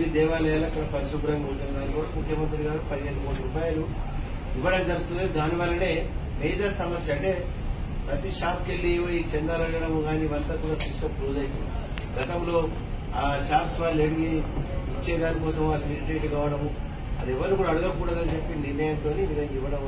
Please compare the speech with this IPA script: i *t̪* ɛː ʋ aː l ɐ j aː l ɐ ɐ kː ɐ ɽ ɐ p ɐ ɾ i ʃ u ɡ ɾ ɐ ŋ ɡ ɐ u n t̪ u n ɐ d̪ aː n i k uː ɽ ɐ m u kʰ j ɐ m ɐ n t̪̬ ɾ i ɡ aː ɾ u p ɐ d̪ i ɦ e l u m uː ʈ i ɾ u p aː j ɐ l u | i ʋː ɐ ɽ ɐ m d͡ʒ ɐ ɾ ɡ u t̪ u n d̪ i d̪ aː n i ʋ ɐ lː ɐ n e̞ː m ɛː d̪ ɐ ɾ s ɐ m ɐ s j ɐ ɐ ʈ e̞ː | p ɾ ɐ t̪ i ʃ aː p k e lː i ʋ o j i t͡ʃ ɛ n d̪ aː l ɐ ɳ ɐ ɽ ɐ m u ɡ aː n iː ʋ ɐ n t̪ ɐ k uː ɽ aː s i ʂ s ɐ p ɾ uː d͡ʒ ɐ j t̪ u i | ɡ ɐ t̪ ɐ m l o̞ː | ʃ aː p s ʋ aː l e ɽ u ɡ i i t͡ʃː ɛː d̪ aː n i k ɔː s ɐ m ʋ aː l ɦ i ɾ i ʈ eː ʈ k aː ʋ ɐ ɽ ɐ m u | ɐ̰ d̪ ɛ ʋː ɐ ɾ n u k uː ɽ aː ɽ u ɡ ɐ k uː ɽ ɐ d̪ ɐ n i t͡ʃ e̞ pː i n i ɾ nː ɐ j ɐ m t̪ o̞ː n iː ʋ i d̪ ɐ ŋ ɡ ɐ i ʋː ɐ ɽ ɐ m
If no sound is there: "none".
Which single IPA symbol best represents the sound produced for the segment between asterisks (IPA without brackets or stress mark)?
d̪